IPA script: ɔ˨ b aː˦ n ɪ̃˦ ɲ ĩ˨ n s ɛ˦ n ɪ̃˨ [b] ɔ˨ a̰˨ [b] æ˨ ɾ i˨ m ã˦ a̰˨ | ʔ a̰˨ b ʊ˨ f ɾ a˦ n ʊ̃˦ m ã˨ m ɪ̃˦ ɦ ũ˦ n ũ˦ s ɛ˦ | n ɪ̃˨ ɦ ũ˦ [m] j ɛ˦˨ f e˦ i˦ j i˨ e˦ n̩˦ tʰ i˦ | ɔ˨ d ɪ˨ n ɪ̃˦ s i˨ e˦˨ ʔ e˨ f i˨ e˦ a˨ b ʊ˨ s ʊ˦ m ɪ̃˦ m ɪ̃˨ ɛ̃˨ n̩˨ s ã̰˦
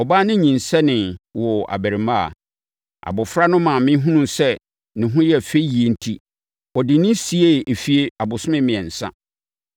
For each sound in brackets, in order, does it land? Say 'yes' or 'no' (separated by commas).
no, yes, no